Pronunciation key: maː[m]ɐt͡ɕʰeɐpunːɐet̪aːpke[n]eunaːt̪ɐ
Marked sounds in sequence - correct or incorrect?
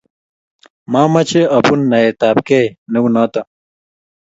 correct, correct

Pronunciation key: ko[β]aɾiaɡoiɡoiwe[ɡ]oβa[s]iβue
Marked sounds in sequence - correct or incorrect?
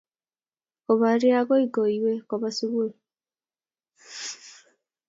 correct, incorrect: k, correct

